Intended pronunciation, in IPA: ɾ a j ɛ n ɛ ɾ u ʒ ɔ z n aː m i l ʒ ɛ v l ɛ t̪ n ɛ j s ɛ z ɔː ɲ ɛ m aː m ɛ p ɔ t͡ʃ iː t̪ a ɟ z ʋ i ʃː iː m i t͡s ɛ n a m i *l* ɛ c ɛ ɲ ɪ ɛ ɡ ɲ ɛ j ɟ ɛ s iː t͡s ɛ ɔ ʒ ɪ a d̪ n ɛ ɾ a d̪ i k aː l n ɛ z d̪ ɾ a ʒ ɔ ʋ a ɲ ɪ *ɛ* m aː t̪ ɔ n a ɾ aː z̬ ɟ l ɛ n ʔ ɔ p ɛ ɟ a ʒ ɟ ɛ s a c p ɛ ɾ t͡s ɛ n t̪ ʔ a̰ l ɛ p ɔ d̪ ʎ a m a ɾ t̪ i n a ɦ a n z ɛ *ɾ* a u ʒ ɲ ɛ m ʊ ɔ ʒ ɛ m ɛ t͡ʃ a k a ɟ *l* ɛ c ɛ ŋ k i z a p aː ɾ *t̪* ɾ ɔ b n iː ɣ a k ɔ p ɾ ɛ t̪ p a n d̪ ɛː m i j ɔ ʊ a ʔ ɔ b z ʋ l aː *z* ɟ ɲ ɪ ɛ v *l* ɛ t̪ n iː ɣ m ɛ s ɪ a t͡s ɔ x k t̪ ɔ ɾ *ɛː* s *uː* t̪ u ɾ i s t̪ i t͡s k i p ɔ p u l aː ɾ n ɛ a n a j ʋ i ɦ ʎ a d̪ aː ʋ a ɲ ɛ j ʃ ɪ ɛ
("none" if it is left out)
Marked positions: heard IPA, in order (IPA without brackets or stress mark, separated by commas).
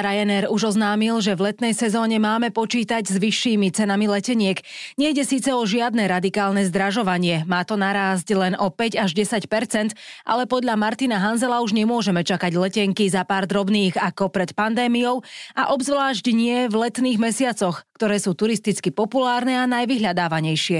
l, ɛ, l, l, d̪, ʒ, l, ɛː, uː